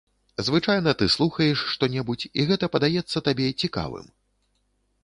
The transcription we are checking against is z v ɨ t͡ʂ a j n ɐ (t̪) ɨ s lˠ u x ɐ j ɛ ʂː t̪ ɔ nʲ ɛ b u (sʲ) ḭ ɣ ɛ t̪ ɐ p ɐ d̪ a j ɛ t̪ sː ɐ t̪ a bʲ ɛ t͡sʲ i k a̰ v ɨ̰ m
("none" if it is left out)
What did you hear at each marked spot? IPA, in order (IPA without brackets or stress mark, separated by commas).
t̪, t͡sʲ